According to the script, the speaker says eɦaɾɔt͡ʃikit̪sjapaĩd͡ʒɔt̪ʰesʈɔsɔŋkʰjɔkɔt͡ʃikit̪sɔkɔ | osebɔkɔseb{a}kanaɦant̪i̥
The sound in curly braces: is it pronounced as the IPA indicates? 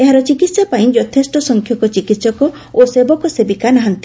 no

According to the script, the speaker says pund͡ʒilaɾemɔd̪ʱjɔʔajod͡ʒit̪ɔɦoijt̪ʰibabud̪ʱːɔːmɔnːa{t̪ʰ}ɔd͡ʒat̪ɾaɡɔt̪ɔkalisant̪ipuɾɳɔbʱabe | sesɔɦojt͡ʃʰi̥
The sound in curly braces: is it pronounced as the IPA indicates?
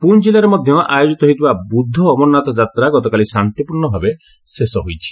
no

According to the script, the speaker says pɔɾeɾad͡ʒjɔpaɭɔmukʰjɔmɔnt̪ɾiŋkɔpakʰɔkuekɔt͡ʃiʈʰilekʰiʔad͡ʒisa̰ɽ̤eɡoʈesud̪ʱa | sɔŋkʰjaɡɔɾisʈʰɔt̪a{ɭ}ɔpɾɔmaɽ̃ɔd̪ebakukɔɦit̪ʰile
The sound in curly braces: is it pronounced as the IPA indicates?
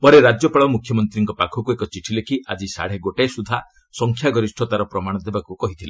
no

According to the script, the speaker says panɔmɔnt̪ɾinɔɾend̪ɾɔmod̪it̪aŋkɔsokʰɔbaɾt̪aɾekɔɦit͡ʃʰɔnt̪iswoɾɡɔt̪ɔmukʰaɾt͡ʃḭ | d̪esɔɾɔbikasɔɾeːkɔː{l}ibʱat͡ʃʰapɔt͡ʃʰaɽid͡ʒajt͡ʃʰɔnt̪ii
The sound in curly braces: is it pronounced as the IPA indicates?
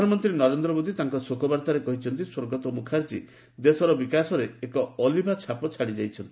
yes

